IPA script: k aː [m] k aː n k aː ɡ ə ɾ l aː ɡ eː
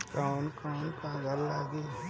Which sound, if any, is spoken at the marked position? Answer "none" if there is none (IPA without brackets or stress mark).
n